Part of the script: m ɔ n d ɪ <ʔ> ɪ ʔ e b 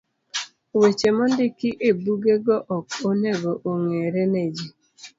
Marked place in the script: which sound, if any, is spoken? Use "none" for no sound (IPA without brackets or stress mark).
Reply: k